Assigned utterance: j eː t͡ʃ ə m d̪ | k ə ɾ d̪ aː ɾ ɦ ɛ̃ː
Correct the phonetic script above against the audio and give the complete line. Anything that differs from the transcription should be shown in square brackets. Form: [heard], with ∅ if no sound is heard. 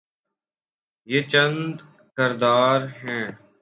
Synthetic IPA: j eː t͡ʃ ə [n] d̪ | k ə ɾ d̪ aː ɾ ɦ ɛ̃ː